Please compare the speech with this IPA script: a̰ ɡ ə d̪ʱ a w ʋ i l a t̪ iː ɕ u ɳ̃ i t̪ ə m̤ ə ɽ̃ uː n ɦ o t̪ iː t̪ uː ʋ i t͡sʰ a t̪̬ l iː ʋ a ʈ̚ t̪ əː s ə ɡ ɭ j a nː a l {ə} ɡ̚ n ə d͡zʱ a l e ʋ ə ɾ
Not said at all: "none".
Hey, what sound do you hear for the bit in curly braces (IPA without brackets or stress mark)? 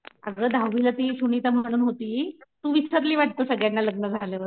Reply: ə